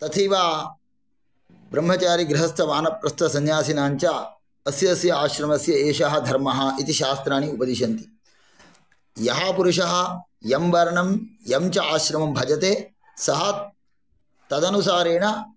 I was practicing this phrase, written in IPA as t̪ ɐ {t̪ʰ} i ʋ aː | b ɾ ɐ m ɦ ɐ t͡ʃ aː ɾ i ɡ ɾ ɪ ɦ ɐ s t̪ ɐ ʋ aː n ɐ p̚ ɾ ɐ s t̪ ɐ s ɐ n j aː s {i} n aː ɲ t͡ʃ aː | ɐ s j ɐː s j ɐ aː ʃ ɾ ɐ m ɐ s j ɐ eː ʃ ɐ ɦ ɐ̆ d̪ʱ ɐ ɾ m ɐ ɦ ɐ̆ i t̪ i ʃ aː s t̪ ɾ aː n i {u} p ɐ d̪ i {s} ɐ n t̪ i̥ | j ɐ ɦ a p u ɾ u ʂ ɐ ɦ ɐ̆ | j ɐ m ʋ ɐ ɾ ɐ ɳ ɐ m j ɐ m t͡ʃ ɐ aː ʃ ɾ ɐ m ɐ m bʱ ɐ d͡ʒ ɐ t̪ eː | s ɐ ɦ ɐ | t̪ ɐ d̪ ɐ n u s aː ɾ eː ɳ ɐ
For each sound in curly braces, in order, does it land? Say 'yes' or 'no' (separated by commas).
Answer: yes, yes, yes, no